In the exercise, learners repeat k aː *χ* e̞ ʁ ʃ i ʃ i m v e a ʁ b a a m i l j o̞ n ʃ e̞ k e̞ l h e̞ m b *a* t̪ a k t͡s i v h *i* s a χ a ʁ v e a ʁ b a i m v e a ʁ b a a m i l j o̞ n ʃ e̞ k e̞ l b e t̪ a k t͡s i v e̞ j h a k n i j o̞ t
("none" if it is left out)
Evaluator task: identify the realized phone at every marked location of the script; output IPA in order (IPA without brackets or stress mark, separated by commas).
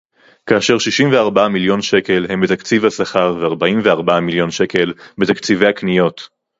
ʃ, e, a